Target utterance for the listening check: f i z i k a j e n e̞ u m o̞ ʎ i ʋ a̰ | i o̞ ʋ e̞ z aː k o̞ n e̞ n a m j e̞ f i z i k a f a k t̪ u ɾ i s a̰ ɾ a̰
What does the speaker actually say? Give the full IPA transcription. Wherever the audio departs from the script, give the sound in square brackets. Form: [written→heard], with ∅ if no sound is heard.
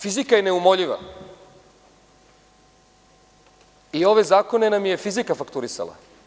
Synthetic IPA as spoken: f i z i k a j e n e̞ u m o̞ ʎ i ʋ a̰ | i o̞ ʋ e̞ z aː k o̞ n e̞ n a m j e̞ f i z i k a f a k t̪ u ɾ i s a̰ [ɾ→l] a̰